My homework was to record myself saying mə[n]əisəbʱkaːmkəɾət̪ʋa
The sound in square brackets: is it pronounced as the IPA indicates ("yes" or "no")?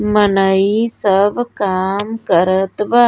yes